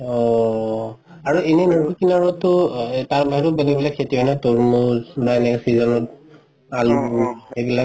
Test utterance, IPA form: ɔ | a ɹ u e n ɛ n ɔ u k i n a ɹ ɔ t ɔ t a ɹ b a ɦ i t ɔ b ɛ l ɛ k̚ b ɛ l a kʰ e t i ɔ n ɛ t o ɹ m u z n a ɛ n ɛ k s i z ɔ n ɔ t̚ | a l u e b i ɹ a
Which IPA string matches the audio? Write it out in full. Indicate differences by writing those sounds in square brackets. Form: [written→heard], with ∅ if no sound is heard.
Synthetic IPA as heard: ɔ | a ɹ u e n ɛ n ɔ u k i n a ɹ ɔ t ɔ t a ɹ b a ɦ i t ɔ b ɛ l ɛ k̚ b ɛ l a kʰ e t i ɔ n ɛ t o ɹ m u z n a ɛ n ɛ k s i z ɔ n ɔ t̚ | a l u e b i [ɹ→l] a